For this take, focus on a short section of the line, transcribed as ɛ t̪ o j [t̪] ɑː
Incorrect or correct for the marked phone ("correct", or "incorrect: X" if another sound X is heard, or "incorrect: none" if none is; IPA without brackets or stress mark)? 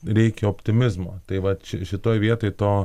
correct